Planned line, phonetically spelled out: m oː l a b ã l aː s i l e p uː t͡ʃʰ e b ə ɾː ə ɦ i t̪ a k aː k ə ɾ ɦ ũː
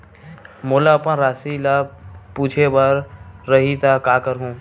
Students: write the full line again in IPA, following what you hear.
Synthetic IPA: m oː l a p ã ɾ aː s i l a p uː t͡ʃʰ e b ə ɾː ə ɦ i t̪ a k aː k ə ɾ ɦ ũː

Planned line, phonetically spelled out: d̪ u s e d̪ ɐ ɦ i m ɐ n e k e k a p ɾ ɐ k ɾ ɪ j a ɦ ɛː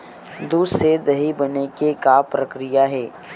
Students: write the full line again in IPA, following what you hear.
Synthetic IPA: d̪ u s e d̪ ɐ ɦ i b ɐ n e k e k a p ɾ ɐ k ɾ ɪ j a ɦ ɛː

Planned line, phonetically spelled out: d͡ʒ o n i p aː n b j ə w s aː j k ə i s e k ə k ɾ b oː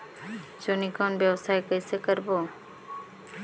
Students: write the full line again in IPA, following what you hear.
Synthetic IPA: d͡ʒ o n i k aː n b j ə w s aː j k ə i s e k ə ɾ b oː

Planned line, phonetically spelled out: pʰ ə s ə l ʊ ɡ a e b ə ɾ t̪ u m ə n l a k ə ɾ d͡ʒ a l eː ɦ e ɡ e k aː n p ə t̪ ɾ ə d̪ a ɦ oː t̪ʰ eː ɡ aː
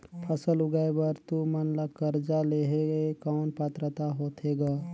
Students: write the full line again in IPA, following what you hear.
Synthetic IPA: pʰ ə s ə l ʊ ɡ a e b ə ɾ t̪ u m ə n l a k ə ɾ d͡ʒ a l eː ɦ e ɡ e k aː n p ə t̪ ɾ ə t̪ a ɦ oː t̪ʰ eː ɡ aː

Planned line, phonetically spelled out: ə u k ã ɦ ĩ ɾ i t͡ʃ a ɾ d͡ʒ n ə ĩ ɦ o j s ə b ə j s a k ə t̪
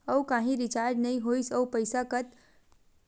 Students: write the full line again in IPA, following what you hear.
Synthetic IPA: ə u k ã ɦ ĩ ɾ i t͡ʃ a ɾ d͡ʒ n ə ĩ ɦ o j s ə p ə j s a k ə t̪

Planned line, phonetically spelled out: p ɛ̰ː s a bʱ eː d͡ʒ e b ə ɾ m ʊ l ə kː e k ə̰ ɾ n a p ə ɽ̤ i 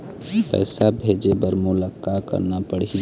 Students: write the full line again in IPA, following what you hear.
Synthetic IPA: p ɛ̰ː s a bʱ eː d͡ʒ e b ə ɾ m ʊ l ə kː a k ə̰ ɾ n a p ə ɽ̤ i

